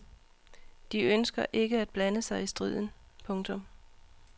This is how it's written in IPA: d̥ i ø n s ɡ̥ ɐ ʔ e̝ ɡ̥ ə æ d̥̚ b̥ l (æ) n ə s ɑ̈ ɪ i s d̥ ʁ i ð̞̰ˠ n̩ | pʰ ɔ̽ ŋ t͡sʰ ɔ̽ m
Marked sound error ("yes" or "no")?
no